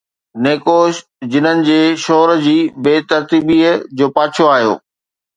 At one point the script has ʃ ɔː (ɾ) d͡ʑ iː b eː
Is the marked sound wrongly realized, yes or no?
no